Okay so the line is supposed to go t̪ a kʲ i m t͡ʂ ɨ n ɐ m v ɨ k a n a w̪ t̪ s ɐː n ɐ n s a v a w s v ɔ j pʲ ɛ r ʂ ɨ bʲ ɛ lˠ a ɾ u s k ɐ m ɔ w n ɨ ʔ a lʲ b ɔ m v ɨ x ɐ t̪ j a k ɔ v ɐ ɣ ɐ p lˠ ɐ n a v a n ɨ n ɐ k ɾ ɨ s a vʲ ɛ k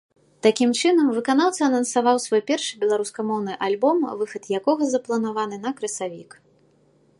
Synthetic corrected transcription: t̪ a kʲ i m t͡ʂ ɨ n ɐ m v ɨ k a n a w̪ t̪ s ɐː n ɐ n s a v a w s v ɔ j pʲ ɛ r ʂ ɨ bʲ ɛ lˠ a ɾ u s k ɐ m ɔ w n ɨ ʔ a lʲ b ɔ m v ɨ x ɐ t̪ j a k ɔ ɣ ɐ z ɐ p lˠ ɐ n a v a n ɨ n ɐ k ɾ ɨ s a vʲ i k